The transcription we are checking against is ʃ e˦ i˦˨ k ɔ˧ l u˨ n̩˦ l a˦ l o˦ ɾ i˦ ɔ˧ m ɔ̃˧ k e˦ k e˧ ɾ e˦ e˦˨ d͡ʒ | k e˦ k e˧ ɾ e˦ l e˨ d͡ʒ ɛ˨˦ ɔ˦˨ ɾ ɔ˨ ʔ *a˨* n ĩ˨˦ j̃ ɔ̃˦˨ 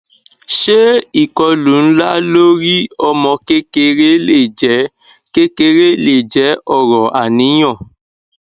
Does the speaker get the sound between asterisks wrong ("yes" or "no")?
no